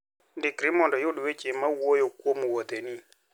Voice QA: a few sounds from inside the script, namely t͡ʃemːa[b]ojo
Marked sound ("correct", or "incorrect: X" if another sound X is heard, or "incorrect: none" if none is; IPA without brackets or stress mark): incorrect: w